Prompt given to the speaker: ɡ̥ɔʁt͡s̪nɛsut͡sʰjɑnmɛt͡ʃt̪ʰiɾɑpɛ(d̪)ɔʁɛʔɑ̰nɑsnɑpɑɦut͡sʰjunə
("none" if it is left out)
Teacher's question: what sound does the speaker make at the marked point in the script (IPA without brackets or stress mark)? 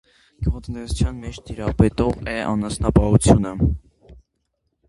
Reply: t̪